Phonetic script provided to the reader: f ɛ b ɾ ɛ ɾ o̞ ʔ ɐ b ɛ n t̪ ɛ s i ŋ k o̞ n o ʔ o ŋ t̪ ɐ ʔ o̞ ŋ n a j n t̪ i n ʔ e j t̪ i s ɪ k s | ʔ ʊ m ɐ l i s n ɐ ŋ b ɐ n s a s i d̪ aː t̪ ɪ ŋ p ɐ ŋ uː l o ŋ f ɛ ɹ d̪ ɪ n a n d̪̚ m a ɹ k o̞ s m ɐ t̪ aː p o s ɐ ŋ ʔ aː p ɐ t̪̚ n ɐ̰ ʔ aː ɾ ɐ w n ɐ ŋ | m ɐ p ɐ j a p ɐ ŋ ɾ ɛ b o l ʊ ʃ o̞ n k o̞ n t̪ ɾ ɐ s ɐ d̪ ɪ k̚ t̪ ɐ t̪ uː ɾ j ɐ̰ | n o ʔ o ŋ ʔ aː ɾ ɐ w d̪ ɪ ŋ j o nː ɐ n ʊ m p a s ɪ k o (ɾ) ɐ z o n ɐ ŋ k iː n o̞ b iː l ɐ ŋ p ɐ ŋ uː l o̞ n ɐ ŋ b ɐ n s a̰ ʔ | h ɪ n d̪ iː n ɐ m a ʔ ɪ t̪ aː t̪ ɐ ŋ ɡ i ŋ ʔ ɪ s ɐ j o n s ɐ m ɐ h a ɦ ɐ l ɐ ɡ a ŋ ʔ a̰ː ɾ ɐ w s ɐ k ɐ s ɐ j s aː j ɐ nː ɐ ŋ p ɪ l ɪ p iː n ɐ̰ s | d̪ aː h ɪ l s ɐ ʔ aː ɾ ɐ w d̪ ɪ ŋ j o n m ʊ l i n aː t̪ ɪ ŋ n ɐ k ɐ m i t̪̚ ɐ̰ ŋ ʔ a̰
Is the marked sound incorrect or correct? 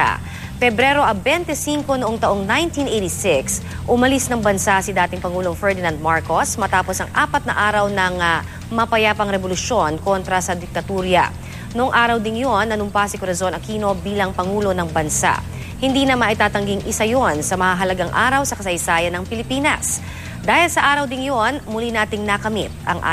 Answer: correct